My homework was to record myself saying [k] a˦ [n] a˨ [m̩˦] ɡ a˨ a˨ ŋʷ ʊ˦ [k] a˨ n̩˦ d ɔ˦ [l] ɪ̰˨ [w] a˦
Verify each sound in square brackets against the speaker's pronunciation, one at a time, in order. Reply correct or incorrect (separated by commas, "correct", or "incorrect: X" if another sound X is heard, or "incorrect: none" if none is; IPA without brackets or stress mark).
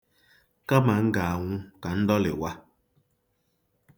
correct, incorrect: m, incorrect: ŋ̩˦, correct, correct, correct